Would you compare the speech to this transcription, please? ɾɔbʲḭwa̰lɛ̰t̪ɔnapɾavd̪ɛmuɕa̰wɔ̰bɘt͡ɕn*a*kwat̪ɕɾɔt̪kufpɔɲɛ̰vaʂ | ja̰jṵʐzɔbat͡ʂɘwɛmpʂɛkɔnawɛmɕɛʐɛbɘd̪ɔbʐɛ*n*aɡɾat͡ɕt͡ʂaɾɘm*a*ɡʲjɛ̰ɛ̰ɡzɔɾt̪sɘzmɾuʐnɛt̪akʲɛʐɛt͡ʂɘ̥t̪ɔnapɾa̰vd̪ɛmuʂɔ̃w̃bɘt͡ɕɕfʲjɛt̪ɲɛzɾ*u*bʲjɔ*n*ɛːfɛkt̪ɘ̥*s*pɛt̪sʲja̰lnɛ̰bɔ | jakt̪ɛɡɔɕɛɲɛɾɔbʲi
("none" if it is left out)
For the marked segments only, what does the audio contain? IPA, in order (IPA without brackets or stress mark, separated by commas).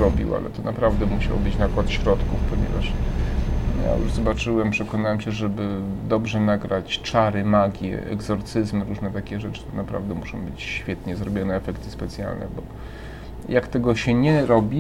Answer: a, n, a, ɔ, n, s